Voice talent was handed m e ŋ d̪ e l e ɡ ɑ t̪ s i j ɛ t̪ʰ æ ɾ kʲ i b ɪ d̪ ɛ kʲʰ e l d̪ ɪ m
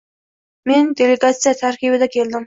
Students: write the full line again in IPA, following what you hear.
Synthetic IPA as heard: m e n d̪ e l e ɡ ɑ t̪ s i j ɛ t̪ʰ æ ɾ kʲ i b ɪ d̪ ɛ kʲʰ e l d̪ ɪ m